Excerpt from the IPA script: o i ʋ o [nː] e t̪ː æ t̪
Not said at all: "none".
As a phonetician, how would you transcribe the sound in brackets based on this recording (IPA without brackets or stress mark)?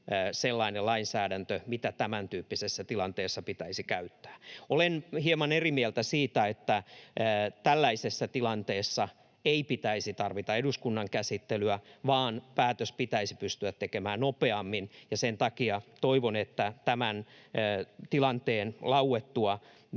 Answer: n